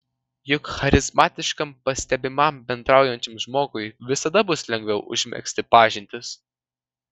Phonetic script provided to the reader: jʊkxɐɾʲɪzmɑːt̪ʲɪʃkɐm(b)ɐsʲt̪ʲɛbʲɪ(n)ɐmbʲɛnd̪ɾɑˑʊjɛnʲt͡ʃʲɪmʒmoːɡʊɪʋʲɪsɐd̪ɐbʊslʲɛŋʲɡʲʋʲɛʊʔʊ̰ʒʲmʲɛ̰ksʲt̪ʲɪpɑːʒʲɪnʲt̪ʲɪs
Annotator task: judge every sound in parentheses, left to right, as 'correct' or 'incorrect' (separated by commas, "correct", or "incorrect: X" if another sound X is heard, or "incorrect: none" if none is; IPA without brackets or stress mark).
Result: incorrect: p, incorrect: m